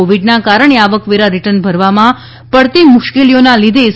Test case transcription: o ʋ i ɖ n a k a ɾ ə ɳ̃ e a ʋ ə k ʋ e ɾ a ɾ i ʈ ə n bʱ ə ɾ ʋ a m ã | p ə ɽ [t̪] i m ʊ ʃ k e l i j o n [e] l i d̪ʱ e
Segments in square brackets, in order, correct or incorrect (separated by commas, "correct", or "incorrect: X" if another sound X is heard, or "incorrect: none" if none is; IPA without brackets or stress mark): correct, incorrect: a